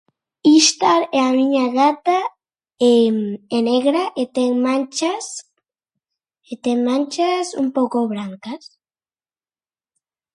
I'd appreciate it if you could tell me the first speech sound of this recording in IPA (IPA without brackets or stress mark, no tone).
i